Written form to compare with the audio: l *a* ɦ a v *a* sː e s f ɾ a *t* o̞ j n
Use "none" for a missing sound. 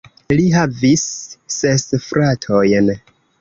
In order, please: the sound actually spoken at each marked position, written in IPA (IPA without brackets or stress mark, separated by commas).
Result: i, i, tʰ